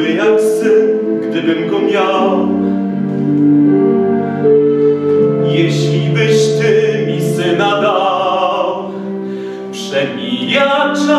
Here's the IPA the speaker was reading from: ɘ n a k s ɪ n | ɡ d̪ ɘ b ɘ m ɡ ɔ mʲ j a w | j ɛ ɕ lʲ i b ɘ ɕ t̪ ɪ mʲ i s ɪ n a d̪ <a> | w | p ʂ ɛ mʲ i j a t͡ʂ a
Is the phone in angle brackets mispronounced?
no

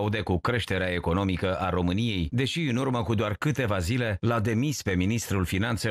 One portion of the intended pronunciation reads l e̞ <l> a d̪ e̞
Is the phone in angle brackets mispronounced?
no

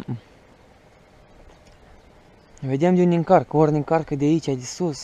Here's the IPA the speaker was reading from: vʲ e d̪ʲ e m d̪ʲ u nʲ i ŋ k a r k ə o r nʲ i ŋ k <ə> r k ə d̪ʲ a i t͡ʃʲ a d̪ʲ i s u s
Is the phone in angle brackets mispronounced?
yes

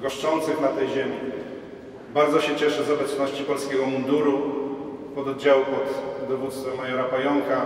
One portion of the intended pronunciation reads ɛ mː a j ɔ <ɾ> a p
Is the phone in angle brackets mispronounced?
no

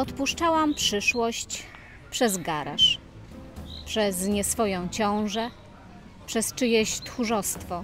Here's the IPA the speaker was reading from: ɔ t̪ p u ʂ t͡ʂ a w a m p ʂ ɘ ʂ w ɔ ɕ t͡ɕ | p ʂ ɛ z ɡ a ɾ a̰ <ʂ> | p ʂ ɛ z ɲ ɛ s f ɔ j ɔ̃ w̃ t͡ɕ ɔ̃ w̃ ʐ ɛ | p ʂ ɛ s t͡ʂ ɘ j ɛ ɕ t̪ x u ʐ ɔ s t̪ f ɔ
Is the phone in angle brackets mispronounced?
no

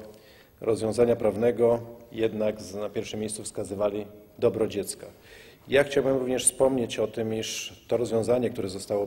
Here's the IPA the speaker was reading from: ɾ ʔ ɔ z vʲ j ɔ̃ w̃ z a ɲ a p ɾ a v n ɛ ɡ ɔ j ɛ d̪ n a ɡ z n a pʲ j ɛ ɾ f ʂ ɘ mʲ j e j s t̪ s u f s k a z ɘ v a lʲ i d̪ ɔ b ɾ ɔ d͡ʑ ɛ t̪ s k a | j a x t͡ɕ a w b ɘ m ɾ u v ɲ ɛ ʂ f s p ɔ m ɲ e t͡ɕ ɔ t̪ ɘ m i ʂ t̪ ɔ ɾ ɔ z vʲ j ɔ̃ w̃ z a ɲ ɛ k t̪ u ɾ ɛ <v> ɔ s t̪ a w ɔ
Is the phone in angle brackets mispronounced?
yes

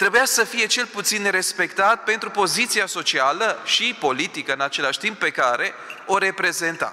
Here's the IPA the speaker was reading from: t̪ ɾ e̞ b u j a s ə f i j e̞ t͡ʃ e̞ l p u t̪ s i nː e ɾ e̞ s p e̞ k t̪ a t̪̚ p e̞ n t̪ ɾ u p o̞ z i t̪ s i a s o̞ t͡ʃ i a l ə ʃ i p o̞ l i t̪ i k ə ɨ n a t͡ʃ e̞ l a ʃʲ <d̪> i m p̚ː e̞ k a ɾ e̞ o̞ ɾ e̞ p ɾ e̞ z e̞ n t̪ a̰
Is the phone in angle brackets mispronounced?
yes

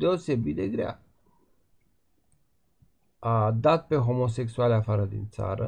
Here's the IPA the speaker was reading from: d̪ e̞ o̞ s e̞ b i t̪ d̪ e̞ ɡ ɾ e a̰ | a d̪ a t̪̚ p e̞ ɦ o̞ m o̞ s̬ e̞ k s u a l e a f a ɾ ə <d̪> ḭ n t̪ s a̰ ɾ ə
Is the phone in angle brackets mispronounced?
no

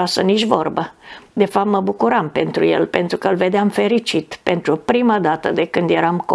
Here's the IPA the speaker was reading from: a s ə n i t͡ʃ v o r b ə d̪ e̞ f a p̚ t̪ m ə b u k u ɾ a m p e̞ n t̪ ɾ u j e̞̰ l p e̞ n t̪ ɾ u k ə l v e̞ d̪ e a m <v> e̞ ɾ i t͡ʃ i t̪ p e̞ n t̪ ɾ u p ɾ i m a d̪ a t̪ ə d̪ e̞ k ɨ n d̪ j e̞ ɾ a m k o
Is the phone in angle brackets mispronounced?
yes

